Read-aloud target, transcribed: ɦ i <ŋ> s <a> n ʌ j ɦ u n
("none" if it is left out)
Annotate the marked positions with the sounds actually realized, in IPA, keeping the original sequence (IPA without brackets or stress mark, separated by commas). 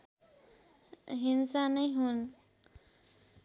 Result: n, a